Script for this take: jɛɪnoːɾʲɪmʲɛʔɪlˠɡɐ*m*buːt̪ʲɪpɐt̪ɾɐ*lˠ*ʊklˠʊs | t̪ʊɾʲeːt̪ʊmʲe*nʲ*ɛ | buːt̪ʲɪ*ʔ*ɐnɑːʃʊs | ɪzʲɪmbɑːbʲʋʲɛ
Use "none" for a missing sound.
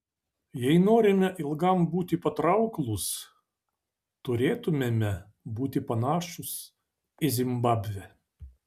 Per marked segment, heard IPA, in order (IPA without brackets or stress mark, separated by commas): m, none, mʲ, p